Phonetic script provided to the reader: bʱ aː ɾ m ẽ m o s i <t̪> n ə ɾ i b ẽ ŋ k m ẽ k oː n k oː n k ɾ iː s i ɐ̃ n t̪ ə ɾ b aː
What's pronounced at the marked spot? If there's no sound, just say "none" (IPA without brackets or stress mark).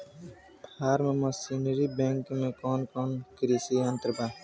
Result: none